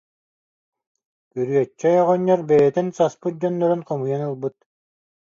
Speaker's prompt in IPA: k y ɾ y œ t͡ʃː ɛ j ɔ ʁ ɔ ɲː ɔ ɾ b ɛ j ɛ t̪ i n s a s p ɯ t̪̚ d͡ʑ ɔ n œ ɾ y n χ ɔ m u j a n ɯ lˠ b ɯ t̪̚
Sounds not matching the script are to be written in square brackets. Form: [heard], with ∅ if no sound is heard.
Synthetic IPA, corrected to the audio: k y ɾ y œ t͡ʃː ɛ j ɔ ʁ ɔ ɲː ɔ ɾ b ɛ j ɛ t̪ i n s a s p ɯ t̪̚ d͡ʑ ɔ [nː] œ ɾ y n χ ɔ m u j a n ɯ lˠ b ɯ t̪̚